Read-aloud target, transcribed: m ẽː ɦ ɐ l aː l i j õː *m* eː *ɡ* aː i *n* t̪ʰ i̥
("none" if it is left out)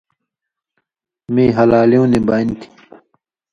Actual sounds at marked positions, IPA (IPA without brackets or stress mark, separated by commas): n, b, n